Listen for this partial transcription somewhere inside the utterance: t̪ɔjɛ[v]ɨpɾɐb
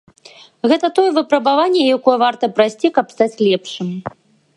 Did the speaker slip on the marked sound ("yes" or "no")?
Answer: no